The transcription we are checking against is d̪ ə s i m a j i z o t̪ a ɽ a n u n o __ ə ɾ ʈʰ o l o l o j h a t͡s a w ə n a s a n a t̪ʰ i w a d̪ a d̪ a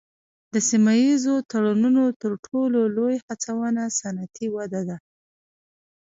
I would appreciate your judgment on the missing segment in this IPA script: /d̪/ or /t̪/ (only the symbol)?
t̪